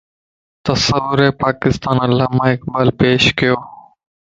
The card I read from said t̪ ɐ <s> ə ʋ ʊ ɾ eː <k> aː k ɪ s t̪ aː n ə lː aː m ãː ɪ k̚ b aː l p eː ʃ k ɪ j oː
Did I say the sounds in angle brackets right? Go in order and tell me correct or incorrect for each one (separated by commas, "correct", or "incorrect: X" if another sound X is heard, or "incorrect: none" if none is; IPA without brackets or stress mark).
correct, incorrect: p